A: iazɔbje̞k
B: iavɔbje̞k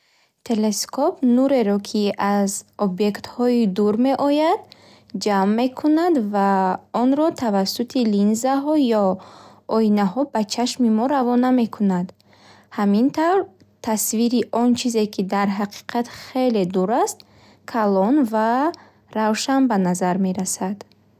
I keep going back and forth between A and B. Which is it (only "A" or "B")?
A